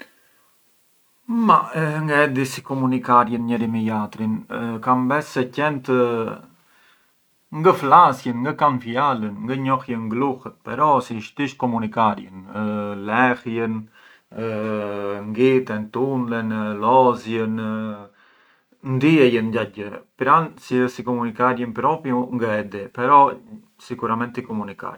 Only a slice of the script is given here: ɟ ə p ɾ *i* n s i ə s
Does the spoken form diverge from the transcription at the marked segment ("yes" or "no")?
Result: yes